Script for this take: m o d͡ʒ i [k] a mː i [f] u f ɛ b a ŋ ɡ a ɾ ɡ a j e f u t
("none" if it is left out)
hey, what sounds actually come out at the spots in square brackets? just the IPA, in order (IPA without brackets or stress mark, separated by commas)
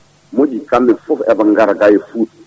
k, f